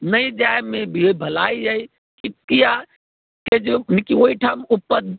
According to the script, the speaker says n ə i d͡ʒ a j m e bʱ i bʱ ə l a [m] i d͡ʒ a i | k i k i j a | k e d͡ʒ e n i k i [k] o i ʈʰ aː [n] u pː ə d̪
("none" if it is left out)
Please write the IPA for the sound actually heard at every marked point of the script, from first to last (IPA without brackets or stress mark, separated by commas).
none, none, m